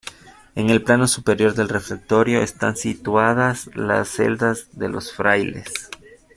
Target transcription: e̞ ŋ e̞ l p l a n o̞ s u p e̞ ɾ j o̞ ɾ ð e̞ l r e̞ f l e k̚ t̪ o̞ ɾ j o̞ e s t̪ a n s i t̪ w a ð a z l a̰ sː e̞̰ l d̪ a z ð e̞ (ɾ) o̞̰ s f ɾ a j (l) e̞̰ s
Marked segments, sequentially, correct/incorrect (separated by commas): incorrect, correct